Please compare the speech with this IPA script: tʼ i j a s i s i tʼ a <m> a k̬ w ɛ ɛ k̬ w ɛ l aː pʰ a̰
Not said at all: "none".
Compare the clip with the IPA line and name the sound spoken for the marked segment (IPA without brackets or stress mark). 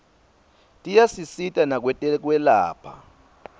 n